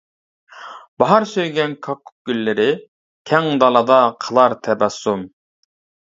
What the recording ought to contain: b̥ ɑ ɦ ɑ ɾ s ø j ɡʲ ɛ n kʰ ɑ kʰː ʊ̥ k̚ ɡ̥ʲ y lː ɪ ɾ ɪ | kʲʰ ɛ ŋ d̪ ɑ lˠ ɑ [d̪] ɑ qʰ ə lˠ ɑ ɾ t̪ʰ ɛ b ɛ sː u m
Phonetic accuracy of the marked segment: correct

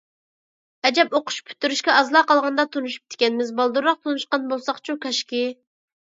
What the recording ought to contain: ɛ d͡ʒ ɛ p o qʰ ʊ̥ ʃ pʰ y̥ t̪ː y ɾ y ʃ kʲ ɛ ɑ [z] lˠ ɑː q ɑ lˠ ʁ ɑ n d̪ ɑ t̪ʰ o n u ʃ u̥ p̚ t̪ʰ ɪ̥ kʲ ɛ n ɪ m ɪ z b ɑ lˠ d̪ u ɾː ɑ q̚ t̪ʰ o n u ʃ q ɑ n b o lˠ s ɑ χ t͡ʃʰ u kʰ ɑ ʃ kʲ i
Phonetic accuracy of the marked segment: correct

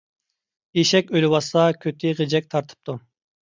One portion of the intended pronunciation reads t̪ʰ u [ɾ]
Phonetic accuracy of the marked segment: incorrect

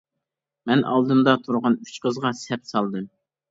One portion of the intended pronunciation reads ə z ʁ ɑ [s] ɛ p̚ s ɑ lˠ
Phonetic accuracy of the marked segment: correct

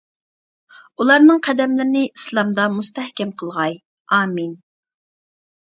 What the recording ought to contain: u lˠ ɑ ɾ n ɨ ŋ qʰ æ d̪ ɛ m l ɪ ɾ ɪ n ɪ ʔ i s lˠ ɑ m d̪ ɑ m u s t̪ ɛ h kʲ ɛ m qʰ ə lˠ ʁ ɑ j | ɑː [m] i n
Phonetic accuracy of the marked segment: correct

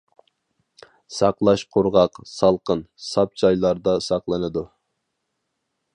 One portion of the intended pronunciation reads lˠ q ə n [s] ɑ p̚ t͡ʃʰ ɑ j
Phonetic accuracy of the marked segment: correct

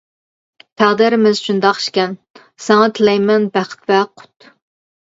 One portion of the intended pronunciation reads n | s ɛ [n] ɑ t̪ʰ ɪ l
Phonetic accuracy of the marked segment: incorrect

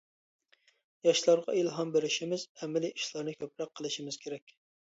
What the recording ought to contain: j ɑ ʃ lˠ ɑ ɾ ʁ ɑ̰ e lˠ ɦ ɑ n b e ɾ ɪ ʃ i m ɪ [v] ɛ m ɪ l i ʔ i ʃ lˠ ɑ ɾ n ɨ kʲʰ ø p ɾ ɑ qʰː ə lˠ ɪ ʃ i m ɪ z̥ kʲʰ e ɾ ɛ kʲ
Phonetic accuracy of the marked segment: incorrect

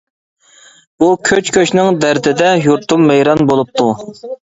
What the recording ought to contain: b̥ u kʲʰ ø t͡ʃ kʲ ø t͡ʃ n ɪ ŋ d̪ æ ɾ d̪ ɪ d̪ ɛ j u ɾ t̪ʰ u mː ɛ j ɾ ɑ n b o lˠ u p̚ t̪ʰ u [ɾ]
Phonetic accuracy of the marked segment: incorrect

